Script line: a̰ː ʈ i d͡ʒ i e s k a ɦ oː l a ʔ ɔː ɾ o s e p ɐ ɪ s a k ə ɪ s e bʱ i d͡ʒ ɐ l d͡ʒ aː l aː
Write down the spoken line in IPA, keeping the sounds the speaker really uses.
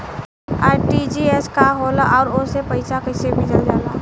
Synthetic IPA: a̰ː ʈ i d͡ʒ i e s k a ɦ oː l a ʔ ɔː ɾ o s e p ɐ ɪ s a k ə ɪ s e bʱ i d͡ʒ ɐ l d͡ʒ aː l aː